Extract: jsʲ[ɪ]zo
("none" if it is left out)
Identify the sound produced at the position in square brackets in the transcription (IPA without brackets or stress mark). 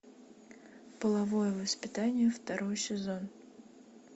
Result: ɪ